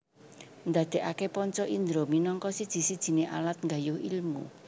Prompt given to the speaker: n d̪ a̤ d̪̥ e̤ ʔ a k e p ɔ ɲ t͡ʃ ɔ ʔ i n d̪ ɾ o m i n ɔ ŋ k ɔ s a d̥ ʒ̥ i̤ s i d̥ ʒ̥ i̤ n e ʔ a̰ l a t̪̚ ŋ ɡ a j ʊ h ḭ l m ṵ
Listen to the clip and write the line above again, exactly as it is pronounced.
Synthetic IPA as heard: n d̪ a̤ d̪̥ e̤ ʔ a k e p ɔ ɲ t͡ʃ ɔ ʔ i n d̪ ɾ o m i n ɔ ŋ k ɔ s i d̥ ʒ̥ i̤ s i d̥ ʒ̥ i̤ n e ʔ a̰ l a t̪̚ ŋ ɡ a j ʊ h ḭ l m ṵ